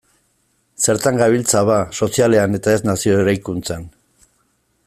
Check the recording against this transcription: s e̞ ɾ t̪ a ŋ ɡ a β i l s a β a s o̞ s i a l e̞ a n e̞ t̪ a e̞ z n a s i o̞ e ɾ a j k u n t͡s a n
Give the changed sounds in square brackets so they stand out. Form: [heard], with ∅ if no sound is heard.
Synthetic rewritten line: s e̞ ɾ t̪ a ŋ ɡ a β i l [t͡s] a β a s o̞ s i a l e̞ a n e̞ t̪ a e̞ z n a s i o̞ e ɾ a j k u n t͡s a n